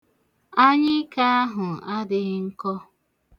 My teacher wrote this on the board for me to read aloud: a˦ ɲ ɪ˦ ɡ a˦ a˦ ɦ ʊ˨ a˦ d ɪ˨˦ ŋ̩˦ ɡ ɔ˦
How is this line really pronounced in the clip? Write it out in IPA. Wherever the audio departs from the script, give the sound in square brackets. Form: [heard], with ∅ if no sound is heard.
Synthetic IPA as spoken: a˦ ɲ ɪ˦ [k] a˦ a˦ ɦ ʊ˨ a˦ d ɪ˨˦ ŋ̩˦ [k] ɔ˦